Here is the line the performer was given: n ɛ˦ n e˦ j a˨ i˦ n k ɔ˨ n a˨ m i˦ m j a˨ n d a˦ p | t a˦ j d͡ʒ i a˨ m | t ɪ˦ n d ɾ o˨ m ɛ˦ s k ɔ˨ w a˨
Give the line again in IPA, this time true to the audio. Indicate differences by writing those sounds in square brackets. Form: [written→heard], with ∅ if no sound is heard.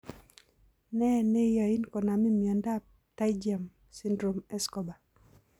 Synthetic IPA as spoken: n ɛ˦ n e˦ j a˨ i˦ n k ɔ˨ n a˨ m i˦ m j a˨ n d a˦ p | t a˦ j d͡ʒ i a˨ m | [t→s] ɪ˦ n d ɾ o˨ m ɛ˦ s k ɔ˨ [w→b] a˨